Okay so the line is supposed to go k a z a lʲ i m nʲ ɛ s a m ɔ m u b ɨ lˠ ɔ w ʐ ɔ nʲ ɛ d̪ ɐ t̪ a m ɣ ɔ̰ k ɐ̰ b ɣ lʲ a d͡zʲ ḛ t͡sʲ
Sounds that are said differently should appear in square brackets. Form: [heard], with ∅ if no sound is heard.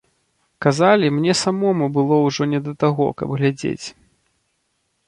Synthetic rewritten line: k a z a lʲ i m nʲ ɛ s a m ɔ m u b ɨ lˠ ɔ w ʐ ɔ nʲ ɛ d̪ ɐ t̪ a [∅] ɣ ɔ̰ k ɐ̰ b ɣ lʲ a d͡zʲ ḛ t͡sʲ